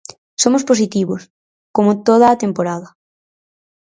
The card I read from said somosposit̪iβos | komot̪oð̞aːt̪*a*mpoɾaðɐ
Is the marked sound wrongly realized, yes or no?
yes